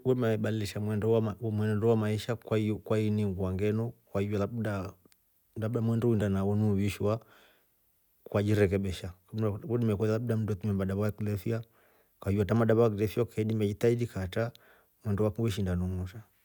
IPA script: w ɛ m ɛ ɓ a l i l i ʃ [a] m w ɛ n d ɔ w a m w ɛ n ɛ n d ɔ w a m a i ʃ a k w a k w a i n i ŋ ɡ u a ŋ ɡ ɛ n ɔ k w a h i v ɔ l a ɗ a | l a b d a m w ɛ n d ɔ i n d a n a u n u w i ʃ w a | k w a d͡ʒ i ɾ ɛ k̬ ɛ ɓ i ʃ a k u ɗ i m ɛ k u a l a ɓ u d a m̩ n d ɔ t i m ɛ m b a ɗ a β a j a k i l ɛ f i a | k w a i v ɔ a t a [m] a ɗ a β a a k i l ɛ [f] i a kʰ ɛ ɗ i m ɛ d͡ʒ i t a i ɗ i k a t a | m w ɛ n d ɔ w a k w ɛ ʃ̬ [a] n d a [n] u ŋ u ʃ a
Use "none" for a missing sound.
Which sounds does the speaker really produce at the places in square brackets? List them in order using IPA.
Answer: a, m, f, i, n

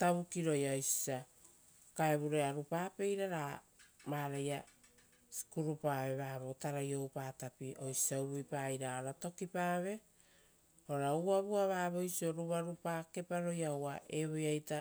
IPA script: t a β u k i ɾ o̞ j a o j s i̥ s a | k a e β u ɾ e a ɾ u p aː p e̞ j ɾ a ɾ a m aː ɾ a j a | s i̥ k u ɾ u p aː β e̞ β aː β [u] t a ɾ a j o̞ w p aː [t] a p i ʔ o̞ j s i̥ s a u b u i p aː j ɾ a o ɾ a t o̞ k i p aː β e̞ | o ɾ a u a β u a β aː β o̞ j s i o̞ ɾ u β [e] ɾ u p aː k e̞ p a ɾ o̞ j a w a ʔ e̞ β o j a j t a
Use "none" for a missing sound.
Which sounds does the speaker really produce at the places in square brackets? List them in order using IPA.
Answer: o, t, a

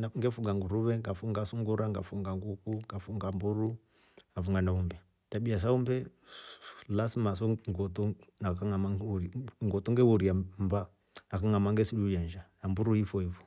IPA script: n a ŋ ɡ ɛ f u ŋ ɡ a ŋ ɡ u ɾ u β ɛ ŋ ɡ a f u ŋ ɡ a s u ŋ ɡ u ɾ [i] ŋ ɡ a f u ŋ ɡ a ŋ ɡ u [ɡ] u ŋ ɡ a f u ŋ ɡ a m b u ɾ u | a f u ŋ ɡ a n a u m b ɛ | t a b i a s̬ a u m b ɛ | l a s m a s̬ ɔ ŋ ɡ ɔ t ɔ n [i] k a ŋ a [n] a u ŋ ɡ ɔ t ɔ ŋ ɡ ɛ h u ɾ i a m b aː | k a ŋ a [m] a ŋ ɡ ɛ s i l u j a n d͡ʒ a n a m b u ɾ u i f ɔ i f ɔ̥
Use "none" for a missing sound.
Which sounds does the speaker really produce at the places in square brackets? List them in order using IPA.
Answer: a, k, a, m, m

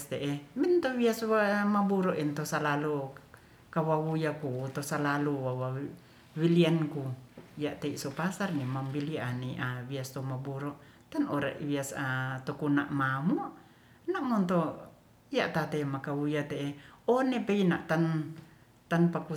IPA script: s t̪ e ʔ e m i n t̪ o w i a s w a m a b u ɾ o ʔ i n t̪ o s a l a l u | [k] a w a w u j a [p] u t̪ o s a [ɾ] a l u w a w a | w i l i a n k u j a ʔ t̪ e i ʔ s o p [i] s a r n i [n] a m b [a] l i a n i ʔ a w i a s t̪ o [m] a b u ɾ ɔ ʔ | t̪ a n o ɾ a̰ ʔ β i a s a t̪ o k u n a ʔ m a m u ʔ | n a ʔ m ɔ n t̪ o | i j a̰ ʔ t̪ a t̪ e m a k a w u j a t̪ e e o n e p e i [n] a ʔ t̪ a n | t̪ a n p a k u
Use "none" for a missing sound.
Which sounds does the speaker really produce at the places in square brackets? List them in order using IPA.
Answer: k, k, l, a, m, i, m, n

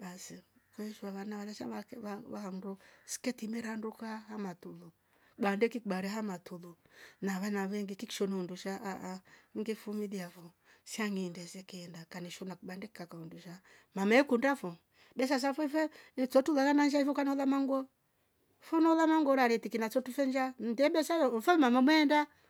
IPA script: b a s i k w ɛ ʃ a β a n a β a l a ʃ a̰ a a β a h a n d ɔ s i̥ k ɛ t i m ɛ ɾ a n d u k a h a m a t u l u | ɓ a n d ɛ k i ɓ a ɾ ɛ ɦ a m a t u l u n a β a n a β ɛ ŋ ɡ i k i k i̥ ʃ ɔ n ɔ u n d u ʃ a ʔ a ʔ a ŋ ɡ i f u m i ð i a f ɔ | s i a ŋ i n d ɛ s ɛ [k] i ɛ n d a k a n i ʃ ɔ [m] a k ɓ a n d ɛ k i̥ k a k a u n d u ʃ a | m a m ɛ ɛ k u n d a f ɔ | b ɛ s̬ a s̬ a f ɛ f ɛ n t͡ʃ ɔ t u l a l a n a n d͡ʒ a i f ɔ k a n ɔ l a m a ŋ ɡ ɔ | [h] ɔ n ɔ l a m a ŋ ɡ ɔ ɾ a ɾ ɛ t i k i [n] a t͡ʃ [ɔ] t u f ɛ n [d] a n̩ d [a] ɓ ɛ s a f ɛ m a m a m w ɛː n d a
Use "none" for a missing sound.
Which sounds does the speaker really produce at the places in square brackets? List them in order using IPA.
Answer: k, n, f, n, ɔ, d͡ʒ, ɛ

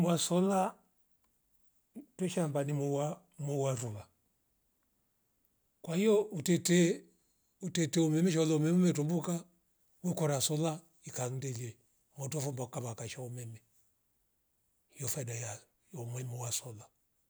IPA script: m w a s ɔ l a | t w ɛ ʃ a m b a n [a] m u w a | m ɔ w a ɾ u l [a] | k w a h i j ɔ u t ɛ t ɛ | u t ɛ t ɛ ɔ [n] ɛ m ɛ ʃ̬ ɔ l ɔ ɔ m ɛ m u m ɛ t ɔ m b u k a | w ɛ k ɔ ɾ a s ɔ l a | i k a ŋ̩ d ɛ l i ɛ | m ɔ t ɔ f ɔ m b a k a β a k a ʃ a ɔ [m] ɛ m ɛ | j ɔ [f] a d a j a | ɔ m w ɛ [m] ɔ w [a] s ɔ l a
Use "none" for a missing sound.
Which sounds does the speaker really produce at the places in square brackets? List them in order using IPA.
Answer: i, a, m, m, f, m, a

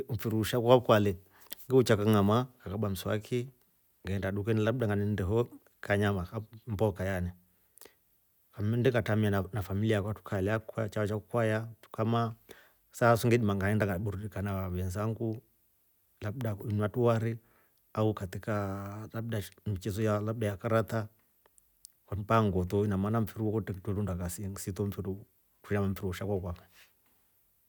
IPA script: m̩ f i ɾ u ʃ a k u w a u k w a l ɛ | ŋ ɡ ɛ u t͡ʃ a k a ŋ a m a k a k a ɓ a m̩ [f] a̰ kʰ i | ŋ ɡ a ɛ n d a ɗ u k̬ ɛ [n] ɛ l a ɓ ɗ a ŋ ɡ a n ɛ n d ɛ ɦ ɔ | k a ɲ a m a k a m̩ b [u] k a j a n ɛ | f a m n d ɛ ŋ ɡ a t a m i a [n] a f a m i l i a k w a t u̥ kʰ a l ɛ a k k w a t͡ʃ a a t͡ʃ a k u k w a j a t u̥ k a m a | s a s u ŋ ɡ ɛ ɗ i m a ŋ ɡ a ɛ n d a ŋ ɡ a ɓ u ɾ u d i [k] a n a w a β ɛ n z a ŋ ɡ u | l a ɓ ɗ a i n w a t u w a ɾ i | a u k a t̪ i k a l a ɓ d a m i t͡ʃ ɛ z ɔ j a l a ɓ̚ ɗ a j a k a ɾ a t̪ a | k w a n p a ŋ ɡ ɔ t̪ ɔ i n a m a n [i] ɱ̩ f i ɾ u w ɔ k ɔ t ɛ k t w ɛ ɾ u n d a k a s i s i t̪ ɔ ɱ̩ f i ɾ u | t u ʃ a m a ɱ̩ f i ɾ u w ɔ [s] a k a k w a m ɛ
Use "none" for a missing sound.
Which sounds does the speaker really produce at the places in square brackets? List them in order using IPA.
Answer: s, n, ɔ, n, k, a, ʃ

